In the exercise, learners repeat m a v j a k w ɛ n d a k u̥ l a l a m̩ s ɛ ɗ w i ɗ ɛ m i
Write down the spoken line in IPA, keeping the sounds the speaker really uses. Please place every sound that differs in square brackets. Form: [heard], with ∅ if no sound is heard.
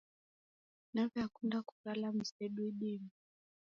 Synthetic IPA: [n] a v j a k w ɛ n d a k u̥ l a l a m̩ s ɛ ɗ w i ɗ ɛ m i

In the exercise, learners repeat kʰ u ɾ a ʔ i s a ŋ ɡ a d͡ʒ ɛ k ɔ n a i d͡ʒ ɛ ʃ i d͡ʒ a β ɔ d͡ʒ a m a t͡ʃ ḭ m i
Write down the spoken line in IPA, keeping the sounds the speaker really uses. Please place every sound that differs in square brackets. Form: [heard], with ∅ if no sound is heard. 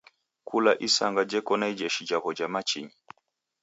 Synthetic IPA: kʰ u [l] a ʔ i s a ŋ ɡ a d͡ʒ ɛ k ɔ n a i d͡ʒ ɛ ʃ i d͡ʒ a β ɔ d͡ʒ a m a t͡ʃ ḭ [ɲ] i

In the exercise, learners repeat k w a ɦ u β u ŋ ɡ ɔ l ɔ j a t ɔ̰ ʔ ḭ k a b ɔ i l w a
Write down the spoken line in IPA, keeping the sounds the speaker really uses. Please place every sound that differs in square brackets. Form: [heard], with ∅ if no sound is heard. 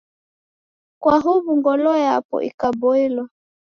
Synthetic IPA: k w a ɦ u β u ŋ ɡ ɔ l ɔ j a [p] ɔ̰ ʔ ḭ k a b ɔ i l w a

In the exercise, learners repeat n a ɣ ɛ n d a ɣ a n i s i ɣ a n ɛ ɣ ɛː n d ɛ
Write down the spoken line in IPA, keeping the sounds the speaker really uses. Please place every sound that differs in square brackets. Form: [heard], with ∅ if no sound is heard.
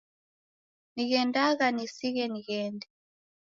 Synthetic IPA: n [i] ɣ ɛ n d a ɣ a n i s i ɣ [ɛ] n [i] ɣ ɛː n d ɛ

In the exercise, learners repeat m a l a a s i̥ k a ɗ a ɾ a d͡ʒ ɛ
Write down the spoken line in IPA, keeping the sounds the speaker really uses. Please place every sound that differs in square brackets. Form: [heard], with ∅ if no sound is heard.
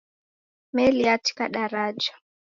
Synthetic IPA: m [ɛ] l [i] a [t] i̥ k a ɗ a ɾ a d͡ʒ [a]

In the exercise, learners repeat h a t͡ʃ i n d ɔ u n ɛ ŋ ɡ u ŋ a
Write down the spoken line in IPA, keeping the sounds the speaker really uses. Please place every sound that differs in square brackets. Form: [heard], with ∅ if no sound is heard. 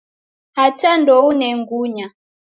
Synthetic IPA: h a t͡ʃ [a] n d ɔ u n ɛ ŋ ɡ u [ɲ] a

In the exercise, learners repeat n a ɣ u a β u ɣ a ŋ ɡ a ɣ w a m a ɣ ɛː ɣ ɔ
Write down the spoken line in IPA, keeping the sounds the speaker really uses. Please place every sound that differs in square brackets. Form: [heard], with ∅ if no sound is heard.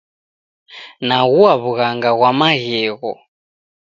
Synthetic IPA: n a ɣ u a β u ɣ a ŋ ɡ a ɣ w a m a ɣ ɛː ɣ ɔ

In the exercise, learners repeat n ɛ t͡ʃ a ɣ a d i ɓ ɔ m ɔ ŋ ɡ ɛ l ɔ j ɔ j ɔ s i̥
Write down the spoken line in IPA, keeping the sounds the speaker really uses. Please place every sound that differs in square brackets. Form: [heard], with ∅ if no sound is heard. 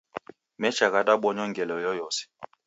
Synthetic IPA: [m] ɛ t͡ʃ a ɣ a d [a] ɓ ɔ [ɲ] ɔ ŋ ɡ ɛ l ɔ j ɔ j ɔ s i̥

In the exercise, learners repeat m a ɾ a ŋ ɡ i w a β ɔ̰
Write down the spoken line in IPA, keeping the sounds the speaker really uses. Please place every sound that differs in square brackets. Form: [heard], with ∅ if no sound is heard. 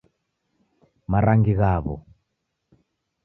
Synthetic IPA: m a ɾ a ŋ ɡ i [ɣ] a β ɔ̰

